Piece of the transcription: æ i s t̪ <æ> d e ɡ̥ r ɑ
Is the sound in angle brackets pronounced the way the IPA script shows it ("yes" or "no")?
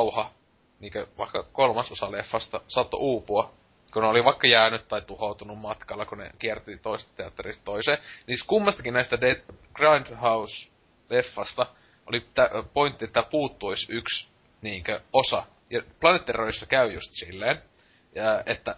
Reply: yes